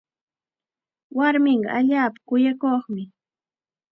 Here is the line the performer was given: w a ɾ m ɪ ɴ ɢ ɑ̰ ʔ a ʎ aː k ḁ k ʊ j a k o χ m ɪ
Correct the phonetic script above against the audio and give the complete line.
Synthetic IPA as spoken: w a ɾ m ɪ ɴ ɢ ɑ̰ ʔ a ʎ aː p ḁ k ʊ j a k o χ m ɪ

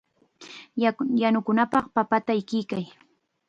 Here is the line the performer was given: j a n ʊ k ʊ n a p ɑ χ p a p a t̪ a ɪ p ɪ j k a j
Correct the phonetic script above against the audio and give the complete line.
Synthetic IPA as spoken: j a n ʊ k ʊ n a p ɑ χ p a p a t̪ a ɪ k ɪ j k a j

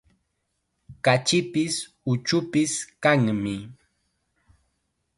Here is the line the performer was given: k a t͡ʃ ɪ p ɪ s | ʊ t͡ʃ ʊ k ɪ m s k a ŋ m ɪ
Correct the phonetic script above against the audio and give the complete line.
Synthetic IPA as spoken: k a t͡ʃ ɪ p ɪ s | ʊ t͡ʃ ʊ p ɪ s k a ŋ m ɪ

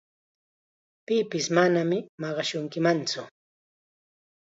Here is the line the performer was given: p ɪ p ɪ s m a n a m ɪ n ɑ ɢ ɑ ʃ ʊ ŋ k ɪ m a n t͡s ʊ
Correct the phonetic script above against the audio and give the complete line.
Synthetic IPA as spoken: p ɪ p ɪ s m a n a m ɪ m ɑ ɢ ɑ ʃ ʊ ŋ k ɪ m a n t͡s ʊ

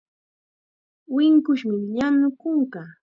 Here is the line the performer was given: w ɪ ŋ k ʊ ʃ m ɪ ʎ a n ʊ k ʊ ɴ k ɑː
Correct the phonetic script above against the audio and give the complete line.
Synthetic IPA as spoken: w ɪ ŋ k ʊ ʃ m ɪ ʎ a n ʊ k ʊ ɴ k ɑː

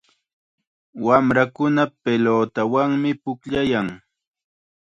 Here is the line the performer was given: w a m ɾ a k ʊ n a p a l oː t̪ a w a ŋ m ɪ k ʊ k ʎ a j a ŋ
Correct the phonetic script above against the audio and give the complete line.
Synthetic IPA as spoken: w a m ɾ a k ʊ n a p e l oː t̪ a w a ŋ m ɪ p ʊ k ʎ a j a ŋ

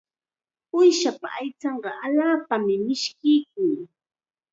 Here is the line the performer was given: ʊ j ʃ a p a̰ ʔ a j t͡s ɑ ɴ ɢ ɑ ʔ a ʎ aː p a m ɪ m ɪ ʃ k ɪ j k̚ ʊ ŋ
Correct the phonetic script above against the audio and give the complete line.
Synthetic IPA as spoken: ʊ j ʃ a p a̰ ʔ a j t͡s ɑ ɴ ɢ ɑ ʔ a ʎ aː p a m ɪ m ɪ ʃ k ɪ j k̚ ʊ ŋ

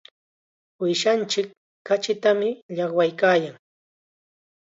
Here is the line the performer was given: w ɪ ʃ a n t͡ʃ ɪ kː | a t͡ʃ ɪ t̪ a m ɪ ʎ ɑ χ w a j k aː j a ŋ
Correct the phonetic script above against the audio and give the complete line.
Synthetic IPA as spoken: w ɪ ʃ a n t͡ʃ ɪ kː | a t͡ʃ ɪ t̪ a m ɪ ʎ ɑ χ w a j k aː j a ŋ

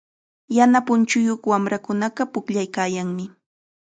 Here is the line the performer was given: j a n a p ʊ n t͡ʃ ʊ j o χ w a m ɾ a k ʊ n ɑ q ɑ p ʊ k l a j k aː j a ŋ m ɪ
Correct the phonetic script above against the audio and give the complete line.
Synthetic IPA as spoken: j a n a p ʊ n t͡ʃ ʊ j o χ w a m ɾ a k ʊ n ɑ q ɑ p ʊ k ʎ a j k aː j a ŋ m ɪ

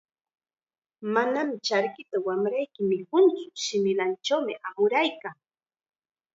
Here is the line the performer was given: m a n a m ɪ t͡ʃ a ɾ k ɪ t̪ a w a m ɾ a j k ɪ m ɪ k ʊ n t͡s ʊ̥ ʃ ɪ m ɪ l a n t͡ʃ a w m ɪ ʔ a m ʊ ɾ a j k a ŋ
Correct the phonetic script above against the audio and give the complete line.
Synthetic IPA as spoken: m a n a m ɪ t͡ʃ a ɾ k ɪ t̪ a w a m ɾ a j k ɪ m ɪ k ʊ n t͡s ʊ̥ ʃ ɪ m ɪ l a n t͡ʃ a w m ɪ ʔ a m ʊ ɾ a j k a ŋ

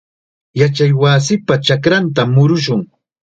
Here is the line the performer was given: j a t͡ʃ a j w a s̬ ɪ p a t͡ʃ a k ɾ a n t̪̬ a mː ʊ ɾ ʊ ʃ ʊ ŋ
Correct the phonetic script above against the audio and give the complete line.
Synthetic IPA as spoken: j a t͡ʃ a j w a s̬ ɪ p a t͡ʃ a k ɾ a n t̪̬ a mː ʊ ɾ ʊ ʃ ʊ ŋ

